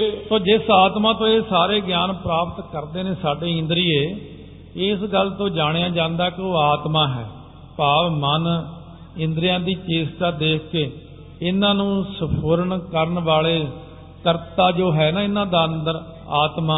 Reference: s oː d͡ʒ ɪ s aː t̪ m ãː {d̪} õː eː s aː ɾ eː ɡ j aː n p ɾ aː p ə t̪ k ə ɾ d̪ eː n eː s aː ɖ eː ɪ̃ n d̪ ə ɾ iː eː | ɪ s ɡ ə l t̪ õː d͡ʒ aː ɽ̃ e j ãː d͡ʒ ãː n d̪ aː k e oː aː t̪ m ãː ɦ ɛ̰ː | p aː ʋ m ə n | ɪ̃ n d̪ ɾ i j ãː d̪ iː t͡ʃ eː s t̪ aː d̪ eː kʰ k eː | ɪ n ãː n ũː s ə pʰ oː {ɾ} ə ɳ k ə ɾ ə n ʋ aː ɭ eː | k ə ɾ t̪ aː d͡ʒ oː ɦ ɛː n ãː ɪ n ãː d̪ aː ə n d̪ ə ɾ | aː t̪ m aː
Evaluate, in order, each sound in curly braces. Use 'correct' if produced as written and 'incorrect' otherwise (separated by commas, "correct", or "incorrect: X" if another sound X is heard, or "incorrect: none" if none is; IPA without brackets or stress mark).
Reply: incorrect: t̪, correct